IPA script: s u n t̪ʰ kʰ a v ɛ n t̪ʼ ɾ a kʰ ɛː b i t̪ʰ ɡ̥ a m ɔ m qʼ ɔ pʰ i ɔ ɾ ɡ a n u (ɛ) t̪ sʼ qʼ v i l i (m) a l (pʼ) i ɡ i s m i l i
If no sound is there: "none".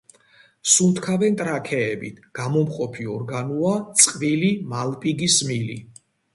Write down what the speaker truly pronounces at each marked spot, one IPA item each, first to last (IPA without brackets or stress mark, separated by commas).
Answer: a, m, pʼ